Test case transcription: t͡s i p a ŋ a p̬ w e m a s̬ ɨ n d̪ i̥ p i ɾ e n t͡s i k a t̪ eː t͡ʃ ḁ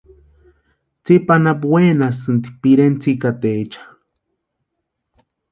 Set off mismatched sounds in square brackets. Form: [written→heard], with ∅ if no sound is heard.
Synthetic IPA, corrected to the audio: t͡s i p a [ŋ→n] a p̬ w e [m→n] a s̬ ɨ n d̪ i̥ p i ɾ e n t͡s i k a t̪ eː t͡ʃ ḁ